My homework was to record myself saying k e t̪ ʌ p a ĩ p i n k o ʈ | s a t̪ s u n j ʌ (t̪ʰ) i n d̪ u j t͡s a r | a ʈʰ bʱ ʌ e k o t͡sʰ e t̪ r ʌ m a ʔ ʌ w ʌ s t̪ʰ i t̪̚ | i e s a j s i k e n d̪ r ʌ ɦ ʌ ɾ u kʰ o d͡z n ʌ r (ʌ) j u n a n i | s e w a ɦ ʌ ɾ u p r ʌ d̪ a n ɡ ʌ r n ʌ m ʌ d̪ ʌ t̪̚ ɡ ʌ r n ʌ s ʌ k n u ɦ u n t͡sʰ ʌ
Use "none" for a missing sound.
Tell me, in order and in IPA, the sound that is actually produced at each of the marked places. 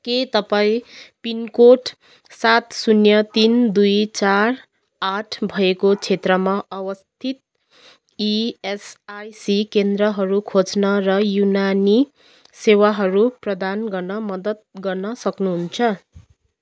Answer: t̪, ʌ

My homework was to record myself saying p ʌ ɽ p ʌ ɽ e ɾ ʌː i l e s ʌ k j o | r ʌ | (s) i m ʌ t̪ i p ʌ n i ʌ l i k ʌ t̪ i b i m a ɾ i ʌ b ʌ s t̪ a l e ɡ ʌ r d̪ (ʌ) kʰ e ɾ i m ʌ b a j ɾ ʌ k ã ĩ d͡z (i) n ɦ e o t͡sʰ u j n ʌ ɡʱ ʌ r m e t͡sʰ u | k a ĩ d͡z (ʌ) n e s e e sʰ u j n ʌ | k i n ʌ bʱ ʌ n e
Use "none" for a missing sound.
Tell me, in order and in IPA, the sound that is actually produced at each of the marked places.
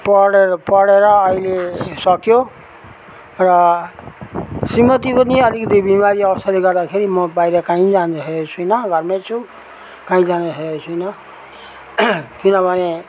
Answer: s, a, a, a

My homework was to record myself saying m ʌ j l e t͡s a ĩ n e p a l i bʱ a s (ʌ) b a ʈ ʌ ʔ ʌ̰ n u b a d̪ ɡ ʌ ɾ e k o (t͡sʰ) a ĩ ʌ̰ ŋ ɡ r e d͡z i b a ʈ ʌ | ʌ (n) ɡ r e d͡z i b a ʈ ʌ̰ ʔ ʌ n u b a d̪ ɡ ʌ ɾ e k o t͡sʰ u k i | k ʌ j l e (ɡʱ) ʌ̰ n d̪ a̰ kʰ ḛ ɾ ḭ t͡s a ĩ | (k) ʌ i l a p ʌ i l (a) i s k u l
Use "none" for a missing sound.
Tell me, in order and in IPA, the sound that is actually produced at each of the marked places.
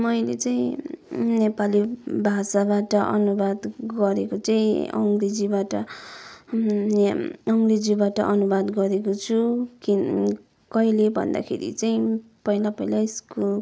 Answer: a, t͡s, ŋ, bʱ, p, a

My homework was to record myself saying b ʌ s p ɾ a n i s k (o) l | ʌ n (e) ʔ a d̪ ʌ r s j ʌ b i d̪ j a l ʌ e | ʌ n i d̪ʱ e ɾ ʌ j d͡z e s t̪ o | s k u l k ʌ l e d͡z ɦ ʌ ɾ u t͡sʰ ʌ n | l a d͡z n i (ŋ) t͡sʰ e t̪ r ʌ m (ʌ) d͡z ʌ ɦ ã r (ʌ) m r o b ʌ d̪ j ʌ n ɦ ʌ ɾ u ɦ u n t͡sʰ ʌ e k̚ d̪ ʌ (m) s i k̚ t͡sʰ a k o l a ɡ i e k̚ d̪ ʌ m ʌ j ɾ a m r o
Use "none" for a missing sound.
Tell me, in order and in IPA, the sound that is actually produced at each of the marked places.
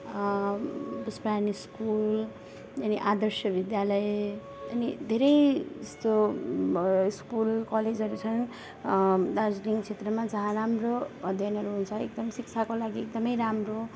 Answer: u, i, ŋ, a, a, m

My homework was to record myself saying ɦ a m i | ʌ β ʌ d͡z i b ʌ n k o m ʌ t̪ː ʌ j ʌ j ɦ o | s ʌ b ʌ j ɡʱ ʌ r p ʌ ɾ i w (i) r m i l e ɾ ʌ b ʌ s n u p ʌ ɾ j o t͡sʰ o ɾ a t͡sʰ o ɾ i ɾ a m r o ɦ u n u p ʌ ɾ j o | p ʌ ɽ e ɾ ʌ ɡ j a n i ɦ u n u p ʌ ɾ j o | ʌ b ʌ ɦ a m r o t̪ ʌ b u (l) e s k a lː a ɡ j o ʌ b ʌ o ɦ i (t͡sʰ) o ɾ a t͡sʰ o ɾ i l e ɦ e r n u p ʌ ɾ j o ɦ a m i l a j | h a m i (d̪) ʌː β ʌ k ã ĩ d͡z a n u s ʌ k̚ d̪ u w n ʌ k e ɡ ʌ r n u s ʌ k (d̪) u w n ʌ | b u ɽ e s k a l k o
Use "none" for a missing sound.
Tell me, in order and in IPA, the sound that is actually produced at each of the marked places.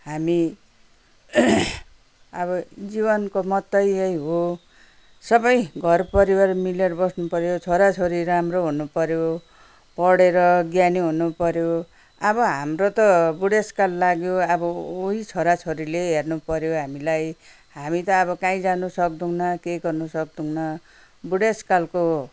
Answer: a, ɽ, t͡sʰ, t̪, d̪

